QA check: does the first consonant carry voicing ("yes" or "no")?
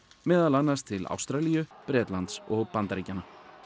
yes